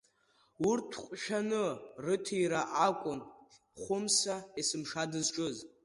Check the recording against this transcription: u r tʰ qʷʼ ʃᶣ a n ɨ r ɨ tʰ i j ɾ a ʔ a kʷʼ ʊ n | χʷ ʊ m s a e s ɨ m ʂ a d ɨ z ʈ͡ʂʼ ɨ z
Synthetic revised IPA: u r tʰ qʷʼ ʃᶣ a n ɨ r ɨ tʰ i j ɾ a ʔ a kʷʼ ʊ n | χʷ ʊ m s a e s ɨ m ʂ a d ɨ z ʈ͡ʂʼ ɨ z